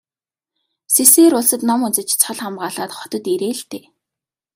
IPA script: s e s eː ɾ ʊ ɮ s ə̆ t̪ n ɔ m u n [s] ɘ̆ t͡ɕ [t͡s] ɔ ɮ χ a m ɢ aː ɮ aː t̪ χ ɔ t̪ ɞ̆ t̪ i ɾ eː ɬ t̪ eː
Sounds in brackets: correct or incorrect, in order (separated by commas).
incorrect, incorrect